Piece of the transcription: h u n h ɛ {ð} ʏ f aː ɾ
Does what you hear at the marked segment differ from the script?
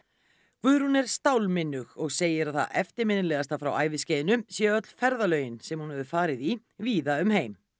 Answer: no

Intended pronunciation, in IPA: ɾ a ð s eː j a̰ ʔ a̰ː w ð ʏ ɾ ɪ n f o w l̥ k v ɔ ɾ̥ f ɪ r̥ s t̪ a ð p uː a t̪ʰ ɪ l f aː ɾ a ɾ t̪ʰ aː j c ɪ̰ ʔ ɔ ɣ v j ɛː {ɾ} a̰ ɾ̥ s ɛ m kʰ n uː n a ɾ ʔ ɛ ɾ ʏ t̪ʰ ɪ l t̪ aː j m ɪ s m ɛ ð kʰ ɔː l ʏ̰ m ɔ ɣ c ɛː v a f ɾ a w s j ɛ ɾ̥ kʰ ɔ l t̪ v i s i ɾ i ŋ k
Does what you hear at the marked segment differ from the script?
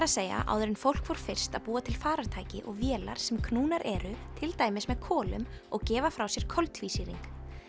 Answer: yes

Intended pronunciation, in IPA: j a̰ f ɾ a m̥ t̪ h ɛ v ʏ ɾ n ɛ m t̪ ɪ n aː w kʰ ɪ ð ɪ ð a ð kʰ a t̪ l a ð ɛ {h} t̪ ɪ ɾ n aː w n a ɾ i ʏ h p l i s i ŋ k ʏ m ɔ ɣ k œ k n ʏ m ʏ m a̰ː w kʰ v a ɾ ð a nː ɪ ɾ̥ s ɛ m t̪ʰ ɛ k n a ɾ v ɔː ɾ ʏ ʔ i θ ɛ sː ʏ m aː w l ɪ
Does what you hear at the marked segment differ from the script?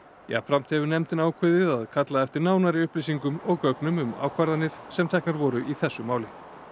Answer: yes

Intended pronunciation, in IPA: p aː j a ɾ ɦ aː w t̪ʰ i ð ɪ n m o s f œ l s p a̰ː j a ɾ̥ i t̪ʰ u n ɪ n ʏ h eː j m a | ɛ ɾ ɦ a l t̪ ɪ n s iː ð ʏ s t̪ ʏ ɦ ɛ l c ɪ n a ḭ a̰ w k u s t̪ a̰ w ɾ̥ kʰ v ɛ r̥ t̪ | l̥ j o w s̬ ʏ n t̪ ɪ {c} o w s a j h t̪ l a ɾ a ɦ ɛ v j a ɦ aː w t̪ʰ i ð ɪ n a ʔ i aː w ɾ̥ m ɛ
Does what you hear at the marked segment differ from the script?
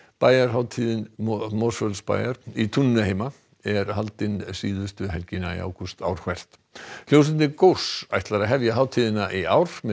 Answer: yes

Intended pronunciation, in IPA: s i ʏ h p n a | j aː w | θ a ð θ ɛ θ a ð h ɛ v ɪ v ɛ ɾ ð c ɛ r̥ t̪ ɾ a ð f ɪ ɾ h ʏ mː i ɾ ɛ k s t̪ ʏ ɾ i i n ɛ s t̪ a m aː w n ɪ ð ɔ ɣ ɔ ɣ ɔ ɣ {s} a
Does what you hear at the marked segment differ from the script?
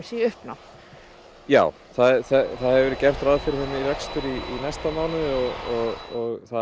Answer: yes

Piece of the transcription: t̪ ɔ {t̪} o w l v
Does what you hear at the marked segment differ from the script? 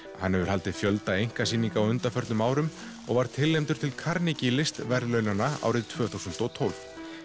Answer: yes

